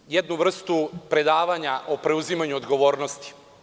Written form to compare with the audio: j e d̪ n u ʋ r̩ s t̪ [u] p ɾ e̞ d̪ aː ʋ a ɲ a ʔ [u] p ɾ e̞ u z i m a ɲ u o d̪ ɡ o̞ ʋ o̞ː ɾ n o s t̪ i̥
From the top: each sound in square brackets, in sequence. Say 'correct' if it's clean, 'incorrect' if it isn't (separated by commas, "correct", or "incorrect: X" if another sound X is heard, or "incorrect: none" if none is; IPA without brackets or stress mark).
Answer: correct, incorrect: o